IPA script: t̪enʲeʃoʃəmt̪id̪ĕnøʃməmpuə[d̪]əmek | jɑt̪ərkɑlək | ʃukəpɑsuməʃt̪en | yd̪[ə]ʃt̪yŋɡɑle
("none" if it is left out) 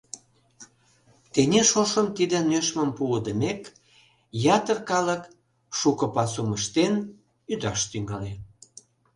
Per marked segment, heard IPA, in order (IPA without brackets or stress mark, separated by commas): d̪, ɑ